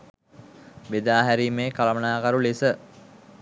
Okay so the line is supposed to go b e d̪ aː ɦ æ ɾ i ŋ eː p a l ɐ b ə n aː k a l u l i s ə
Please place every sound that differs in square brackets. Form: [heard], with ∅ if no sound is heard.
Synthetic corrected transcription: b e d̪ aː ɦ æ ɾ i [m] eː [k] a l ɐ [m] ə n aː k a [ɾ] u l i s ə